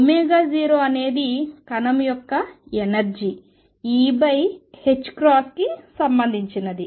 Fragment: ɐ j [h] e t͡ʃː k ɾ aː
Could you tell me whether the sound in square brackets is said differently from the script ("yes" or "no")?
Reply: no